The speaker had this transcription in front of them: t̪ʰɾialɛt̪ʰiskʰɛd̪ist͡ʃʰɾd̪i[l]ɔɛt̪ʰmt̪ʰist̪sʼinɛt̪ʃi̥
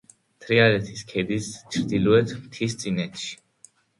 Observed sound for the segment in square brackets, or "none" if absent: l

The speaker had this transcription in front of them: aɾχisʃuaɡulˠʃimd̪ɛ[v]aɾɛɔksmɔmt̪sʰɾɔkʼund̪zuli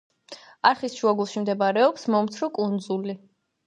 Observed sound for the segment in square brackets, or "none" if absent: b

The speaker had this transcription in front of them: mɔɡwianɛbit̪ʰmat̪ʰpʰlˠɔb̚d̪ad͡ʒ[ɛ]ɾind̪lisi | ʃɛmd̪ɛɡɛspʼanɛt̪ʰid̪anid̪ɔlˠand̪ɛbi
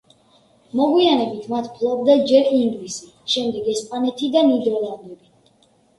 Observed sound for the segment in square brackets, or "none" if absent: ɛ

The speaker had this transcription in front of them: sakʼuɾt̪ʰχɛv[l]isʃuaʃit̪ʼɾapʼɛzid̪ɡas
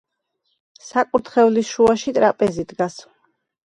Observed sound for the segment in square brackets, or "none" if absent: l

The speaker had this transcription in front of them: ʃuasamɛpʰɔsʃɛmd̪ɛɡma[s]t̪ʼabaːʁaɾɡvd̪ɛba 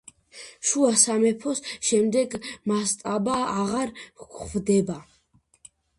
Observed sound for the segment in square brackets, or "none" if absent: s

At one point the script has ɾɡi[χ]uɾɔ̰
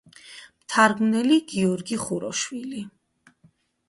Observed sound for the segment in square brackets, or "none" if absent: χ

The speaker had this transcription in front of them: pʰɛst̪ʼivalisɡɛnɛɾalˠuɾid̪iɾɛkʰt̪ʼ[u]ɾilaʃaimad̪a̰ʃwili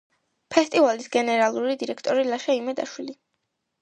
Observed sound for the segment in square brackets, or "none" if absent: ɔ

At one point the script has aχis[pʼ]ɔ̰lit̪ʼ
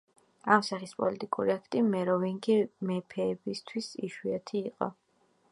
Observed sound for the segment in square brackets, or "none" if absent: pʼ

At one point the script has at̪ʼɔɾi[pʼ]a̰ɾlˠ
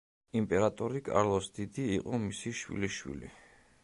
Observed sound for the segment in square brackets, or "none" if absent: kʼ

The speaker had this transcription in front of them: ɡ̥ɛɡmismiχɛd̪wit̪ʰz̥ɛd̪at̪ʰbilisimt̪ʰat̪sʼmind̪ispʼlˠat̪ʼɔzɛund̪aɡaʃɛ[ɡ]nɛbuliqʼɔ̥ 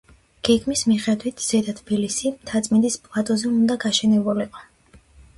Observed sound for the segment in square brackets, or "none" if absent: none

